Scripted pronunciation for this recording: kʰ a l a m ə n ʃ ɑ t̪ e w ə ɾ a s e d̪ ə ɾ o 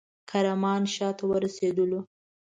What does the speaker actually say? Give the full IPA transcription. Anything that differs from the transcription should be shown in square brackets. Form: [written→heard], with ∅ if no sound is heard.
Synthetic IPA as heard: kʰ a [l→ɾ] a m [ə→ɑ] n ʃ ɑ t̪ [e→a] w ə ɾ a s e d̪ ə [ɾ→l] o